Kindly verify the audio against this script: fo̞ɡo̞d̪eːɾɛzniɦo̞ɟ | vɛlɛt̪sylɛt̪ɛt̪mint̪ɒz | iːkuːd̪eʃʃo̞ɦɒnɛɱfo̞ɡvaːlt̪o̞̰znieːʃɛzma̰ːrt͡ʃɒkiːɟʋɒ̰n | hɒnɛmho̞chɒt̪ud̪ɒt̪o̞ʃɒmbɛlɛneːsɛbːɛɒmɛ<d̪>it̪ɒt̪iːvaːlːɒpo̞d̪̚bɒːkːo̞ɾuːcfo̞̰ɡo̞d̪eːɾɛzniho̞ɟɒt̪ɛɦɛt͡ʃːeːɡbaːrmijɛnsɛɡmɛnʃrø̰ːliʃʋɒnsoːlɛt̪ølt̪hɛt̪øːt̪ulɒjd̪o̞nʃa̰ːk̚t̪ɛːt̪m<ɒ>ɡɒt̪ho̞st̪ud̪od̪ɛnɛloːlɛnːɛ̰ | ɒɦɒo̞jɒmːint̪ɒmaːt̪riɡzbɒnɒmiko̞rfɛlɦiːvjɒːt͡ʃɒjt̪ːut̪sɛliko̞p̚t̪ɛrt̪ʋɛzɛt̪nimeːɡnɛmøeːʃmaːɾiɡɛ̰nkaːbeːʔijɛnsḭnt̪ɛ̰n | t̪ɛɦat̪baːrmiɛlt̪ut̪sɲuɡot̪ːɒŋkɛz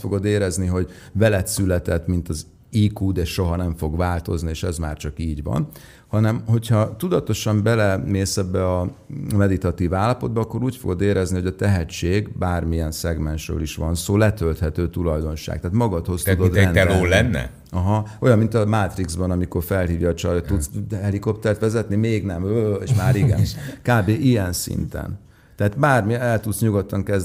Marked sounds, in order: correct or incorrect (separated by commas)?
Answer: correct, correct